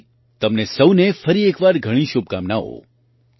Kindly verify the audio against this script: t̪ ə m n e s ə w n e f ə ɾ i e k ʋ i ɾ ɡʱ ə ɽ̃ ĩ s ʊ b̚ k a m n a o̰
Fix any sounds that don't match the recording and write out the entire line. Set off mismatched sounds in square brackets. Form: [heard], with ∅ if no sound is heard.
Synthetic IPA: t̪ ə m n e s ə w n e f ə ɾ i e k ʋ [a] ɾ ɡʱ ə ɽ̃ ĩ [ʃ] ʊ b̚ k a m n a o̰